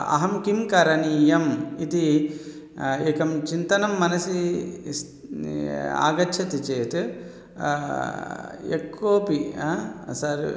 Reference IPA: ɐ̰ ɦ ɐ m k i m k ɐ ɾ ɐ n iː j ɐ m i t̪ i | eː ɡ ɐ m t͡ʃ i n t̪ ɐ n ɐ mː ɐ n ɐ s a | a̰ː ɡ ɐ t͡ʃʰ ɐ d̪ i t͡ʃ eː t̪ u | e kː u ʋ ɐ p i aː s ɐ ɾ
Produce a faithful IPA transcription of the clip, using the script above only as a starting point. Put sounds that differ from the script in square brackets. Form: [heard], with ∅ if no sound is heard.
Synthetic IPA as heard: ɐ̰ ɦ ɐ m k i m k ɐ ɾ ɐ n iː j ɐ m i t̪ i | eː [k] ɐ m t͡ʃ i n t̪ ɐ n ɐ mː ɐ n ɐ s [i] | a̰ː ɡ ɐ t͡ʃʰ ɐ [t̪] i t͡ʃ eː t̪ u | e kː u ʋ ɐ p i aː s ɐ ɾ